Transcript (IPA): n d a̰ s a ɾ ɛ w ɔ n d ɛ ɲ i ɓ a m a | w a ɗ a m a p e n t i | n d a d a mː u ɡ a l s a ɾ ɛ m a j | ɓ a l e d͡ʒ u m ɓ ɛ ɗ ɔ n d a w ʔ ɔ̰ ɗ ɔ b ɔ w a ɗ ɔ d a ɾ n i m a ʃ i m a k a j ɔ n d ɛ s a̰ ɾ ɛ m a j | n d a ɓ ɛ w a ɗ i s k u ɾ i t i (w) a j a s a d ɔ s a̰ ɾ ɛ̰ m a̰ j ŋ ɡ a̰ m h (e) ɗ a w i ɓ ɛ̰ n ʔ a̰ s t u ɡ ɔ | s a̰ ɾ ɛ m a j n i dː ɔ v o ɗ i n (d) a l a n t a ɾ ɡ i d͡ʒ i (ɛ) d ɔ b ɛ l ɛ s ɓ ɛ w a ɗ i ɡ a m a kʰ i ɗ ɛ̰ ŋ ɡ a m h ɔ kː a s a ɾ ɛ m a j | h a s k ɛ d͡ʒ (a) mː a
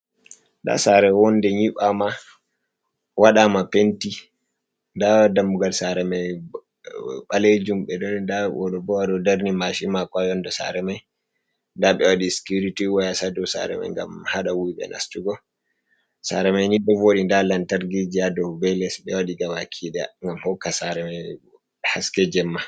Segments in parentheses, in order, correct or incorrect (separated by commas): correct, incorrect, correct, incorrect, incorrect